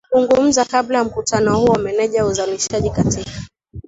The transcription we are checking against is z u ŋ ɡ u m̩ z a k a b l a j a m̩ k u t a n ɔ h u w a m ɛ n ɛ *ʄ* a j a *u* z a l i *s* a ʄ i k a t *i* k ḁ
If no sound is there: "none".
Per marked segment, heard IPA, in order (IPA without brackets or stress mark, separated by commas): ʄ, u, ʃ, i